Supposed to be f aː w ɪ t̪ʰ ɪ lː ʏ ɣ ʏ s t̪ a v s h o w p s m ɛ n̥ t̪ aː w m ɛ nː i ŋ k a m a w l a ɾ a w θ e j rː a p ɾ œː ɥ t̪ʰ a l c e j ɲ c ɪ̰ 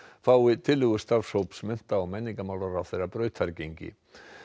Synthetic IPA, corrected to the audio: f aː w ɪ t̪ʰ ɪ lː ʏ ɣ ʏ s t̪ a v s h o w p s m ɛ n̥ t̪ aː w m ɛ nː i ŋ k a m a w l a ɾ a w θ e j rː a p ɾ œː ɥ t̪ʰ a ɾ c e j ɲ c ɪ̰